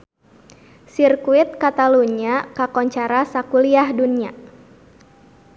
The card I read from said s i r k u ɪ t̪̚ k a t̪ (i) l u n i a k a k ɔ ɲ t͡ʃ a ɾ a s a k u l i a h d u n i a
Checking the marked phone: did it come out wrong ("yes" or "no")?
yes